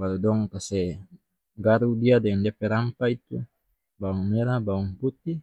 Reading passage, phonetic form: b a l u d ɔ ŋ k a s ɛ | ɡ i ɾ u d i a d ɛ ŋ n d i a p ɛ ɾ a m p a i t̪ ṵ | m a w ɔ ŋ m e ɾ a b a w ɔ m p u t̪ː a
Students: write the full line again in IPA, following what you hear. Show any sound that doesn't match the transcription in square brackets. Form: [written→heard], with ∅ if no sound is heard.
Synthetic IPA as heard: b a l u d ɔ ŋ k a s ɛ | ɡ [i→a] ɾ u d i a d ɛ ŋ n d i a p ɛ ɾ a m p a i t̪ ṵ | [m→b] a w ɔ ŋ m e ɾ a b a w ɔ [m→ŋ] p u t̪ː [a→i]